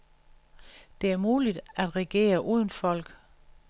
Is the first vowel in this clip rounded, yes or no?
no